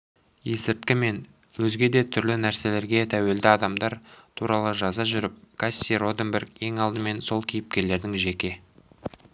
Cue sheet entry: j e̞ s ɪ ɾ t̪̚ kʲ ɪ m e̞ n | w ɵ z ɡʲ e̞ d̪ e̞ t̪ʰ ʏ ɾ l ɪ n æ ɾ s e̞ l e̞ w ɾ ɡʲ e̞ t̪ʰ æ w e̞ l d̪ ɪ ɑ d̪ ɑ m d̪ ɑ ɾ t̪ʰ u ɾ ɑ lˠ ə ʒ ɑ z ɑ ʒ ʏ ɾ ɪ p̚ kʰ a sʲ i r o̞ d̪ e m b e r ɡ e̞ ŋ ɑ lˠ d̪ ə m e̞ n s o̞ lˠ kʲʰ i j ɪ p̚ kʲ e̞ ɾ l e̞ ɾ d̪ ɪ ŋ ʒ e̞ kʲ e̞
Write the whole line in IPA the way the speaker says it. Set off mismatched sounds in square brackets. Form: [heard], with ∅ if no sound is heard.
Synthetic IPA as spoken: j e̞ s ɪ ɾ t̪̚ kʲ ɪ m e̞ n | w ɵ z ɡʲ e̞ d̪ e̞ t̪ʰ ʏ ɾ l ɪ n æ ɾ s e̞ l e̞ [∅] ɾ ɡʲ e̞ t̪ʰ æ w e̞ l d̪ ɪ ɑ d̪ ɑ m d̪ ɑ ɾ t̪ʰ u ɾ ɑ lˠ ə ʒ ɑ z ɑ ʒ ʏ ɾ ɪ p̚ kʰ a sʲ i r o̞ d̪ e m b e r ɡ e̞ ŋ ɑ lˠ d̪ ə m e̞ n s o̞ lˠ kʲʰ i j ɪ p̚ kʲ e̞ ɾ l e̞ ɾ d̪ ɪ ŋ ʒ e̞ kʲ e̞